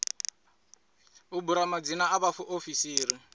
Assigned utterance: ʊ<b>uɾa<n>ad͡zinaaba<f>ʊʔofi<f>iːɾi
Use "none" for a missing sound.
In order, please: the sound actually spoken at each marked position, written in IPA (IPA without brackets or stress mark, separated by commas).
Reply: b, m, f, s